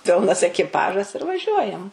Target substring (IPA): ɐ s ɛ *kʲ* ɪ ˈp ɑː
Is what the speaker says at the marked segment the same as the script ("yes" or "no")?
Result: yes